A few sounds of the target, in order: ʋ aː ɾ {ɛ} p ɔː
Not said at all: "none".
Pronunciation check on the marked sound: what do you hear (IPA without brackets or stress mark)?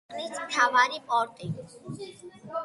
i